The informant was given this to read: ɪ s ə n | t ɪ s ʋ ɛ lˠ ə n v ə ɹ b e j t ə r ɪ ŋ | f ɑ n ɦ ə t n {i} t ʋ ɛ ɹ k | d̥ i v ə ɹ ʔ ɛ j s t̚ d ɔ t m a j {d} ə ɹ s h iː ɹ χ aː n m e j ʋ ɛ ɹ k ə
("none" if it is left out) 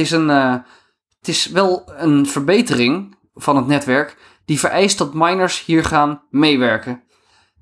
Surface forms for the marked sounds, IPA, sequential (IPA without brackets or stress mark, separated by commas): ɛ, n